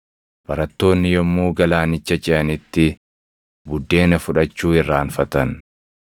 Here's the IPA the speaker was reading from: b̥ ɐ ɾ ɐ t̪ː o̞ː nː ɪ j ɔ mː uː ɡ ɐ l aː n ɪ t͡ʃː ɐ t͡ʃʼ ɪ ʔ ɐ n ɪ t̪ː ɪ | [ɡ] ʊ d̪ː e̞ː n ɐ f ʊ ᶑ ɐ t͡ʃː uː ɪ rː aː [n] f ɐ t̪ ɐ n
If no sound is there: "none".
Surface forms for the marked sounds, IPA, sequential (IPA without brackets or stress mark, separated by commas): b, n